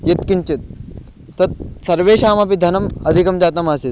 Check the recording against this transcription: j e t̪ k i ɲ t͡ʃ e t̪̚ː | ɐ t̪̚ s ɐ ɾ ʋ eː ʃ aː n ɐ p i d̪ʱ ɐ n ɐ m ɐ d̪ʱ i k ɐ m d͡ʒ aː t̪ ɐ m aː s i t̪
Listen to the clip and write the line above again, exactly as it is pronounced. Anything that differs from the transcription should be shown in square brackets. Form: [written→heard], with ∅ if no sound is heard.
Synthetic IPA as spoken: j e t̪ k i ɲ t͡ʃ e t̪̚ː | ɐ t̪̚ s ɐ ɾ ʋ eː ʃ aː [n→m] ɐ p i d̪ʱ ɐ n ɐ m ɐ d̪ʱ i k ɐ m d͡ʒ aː t̪ ɐ m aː s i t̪